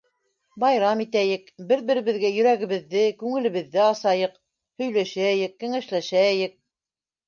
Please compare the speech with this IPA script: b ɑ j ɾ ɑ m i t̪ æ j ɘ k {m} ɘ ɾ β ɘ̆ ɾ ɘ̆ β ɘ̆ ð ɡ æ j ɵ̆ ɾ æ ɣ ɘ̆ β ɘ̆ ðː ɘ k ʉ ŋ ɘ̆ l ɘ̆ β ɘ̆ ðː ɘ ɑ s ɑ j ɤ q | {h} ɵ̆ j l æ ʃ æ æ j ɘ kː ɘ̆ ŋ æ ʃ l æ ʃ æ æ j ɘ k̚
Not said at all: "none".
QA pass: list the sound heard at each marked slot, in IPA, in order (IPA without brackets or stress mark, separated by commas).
b, h